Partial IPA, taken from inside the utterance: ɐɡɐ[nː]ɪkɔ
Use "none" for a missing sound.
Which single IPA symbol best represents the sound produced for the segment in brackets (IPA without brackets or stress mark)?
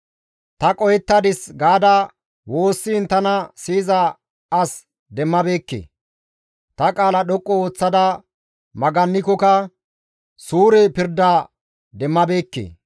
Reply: nː